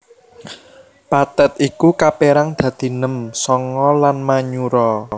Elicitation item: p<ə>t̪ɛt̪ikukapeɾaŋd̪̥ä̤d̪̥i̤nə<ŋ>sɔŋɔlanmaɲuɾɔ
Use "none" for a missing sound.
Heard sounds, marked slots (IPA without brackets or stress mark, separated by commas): a, m